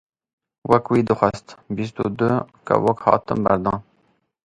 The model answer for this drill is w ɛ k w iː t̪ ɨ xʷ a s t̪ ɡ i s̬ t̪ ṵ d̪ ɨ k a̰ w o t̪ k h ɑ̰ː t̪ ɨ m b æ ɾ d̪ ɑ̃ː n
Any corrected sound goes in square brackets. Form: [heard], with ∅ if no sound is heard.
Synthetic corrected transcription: w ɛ k w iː [d̪] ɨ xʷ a s t̪ [b] i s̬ t̪ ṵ d̪ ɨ k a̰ w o [∅] k h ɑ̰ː t̪ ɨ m b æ ɾ d̪ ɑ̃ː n